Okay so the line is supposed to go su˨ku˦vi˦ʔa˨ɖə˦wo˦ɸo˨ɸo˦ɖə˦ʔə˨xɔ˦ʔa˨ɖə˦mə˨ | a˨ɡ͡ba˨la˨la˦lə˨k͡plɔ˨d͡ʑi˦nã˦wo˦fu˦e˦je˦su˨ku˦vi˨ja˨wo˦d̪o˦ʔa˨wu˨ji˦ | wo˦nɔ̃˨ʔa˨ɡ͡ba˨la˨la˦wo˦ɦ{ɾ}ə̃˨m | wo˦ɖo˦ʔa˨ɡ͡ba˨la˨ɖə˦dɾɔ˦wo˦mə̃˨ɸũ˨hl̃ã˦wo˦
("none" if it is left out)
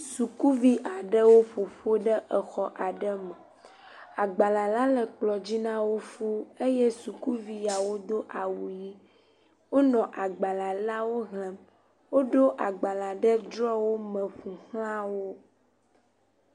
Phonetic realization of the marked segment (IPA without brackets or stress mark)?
l